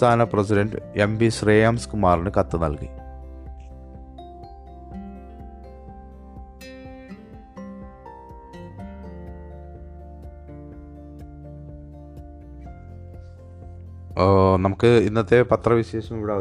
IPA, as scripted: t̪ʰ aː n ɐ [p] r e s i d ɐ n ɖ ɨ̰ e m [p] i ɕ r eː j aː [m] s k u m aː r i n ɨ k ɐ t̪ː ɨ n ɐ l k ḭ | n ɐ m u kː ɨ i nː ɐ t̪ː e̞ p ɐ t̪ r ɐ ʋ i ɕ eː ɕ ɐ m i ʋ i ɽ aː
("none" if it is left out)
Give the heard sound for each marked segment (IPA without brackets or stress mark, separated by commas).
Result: p, b, m